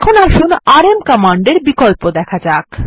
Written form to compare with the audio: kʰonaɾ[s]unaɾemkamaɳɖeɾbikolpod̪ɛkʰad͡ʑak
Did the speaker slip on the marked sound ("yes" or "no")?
yes